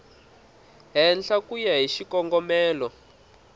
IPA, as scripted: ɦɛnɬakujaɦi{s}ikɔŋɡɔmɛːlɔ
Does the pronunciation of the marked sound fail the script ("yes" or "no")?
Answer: yes